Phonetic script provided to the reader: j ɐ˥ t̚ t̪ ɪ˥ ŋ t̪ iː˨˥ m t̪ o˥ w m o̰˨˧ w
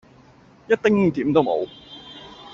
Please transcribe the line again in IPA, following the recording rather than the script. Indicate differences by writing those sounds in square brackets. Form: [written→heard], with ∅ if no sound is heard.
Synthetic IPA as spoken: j ɐ˥ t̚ t̪ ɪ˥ ŋ t̪ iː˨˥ m t̪ o˥ w m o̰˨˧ w